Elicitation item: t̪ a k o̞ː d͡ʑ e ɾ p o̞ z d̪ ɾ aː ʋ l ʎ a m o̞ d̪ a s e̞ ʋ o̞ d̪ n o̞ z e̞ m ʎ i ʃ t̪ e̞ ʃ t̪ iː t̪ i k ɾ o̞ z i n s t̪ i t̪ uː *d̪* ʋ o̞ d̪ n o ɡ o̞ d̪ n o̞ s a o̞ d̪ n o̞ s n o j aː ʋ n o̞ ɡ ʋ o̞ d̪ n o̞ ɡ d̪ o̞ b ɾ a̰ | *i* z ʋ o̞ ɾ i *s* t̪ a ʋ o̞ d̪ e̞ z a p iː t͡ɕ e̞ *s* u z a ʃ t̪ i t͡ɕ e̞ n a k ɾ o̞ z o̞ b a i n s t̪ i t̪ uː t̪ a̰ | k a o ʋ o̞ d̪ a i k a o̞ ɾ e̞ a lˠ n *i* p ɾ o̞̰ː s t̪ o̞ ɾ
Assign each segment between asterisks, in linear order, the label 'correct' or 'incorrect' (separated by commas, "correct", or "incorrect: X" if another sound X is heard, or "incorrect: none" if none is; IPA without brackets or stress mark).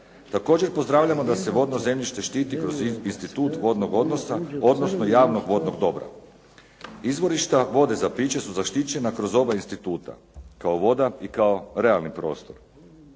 incorrect: t̪, correct, incorrect: ʃ, correct, correct